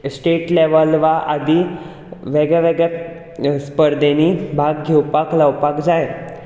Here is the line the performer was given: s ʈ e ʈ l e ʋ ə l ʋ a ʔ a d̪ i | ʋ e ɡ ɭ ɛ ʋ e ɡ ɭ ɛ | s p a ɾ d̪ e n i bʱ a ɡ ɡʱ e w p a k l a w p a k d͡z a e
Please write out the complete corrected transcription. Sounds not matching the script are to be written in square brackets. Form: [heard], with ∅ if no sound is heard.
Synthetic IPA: s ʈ e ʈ l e ʋ ə l ʋ a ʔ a d̪ i | ʋ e ɡ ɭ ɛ ʋ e ɡ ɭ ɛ | s p [ə] ɾ d̪ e n i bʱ a ɡ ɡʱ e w p a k l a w p a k d͡z a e